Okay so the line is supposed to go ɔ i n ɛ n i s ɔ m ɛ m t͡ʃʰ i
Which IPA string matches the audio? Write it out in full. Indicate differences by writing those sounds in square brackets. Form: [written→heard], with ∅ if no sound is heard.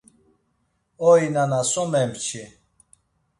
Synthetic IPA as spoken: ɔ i n [ɛ→a] n [i→a] s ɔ m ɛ m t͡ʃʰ i